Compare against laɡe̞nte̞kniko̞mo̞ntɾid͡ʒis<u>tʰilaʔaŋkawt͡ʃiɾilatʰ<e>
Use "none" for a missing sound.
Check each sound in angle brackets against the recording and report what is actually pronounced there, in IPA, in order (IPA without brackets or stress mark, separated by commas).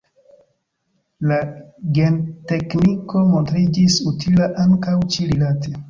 u, e